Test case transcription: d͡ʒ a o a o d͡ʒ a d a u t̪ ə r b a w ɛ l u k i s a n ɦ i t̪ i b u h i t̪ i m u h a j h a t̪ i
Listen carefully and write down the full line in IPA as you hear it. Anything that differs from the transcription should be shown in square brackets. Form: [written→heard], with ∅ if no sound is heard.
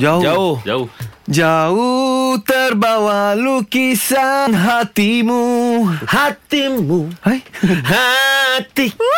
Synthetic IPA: d͡ʒ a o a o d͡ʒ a [d→d͡ʒ] a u t̪ ə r b a w [ɛ→a] l u k i s a n ɦ [i→a] t̪ i [b→m] u h [i→a] t̪ i m u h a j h a t̪ i